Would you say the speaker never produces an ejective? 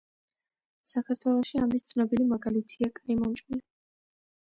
no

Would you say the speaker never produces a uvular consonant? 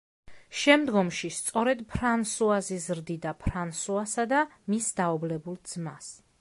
yes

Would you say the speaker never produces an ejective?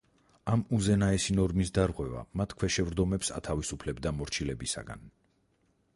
yes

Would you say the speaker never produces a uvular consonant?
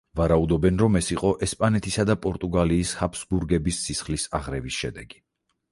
no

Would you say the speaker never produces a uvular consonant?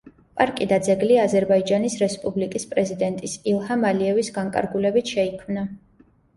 yes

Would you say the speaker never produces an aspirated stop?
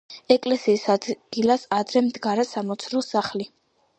yes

